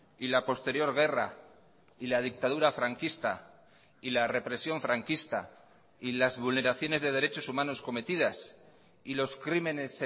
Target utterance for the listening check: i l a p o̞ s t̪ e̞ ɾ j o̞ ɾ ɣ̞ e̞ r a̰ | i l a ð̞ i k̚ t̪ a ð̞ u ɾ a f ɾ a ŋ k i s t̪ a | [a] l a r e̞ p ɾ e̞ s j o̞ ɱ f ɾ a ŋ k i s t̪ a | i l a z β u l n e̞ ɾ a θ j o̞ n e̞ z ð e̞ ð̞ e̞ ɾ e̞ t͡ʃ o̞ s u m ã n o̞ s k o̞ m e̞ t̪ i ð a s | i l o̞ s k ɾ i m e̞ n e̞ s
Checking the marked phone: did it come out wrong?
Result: yes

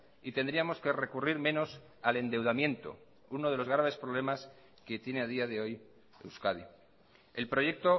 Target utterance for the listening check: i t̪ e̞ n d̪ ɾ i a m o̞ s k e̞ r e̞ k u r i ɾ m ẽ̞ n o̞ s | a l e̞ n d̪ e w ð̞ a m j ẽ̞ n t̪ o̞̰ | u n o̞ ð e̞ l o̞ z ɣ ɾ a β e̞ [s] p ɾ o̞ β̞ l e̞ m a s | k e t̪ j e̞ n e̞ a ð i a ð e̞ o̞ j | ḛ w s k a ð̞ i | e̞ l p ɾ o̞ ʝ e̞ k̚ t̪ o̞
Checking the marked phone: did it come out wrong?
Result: no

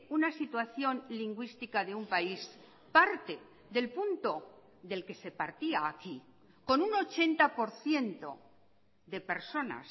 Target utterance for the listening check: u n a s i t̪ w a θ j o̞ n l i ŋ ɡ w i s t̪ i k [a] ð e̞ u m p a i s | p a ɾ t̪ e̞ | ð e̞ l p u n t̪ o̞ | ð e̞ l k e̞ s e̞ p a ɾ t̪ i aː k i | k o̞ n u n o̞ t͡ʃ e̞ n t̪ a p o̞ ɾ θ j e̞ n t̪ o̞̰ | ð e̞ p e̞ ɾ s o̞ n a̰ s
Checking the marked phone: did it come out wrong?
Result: no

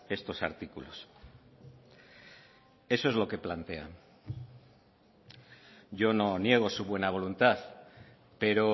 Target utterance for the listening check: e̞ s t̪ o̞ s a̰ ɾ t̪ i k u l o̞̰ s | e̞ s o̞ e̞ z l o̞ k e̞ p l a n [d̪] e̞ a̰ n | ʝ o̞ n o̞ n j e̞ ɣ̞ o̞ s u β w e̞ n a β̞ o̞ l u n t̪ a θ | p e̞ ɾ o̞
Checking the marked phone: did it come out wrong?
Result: yes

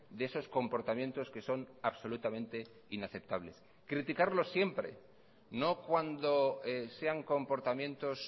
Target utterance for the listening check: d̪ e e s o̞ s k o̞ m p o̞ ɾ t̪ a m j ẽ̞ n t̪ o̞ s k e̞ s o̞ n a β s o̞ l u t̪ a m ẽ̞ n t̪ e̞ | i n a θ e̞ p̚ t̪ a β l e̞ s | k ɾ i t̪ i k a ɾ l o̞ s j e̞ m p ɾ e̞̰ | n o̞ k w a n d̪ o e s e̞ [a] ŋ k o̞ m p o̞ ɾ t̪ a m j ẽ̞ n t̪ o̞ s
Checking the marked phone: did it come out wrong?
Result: no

